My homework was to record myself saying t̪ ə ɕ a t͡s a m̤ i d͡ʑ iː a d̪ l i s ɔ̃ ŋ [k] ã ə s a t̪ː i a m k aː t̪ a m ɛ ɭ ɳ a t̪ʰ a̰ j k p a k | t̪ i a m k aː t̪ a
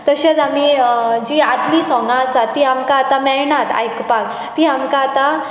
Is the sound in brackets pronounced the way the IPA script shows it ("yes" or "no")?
no